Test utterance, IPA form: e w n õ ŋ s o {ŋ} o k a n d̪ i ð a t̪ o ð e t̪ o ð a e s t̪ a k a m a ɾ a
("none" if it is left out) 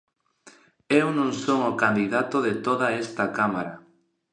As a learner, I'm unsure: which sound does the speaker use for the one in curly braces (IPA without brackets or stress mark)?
ŋ